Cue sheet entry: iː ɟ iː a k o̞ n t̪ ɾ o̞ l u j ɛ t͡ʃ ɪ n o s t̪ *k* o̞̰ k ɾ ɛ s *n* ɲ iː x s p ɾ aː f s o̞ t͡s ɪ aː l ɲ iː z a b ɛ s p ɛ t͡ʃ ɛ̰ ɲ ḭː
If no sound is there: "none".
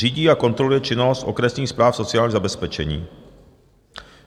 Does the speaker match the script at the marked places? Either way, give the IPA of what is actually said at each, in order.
ʔ, n

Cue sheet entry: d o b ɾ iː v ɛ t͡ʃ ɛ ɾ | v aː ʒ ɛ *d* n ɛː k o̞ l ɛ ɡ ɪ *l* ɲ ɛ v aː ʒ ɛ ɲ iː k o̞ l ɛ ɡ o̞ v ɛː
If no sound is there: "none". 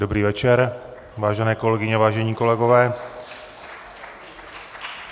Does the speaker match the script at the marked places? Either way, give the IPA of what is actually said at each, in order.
none, none

